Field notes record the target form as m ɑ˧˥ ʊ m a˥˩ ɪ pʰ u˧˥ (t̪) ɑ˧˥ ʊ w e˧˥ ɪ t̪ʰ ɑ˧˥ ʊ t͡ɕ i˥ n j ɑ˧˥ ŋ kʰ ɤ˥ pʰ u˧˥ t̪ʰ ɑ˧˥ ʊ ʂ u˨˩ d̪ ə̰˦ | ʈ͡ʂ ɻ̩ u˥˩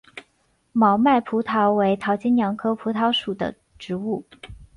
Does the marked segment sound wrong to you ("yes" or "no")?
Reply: yes